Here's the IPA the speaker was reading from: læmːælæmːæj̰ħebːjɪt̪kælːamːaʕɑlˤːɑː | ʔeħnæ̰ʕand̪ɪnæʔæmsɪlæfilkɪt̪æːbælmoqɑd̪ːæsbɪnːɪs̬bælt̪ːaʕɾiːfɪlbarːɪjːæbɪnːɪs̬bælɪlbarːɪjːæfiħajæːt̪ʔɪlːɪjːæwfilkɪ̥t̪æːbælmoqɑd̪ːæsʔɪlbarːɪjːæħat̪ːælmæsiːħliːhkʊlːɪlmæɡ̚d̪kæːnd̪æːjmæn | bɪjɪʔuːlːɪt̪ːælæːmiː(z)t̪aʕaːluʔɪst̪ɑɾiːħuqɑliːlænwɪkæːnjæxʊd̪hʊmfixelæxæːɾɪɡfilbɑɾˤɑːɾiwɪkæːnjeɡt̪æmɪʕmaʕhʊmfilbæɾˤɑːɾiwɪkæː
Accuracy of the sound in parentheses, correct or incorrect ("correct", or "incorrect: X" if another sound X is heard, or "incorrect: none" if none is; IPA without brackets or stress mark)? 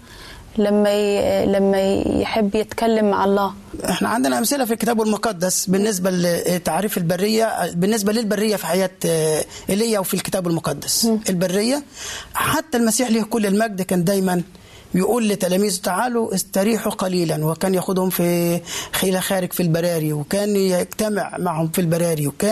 correct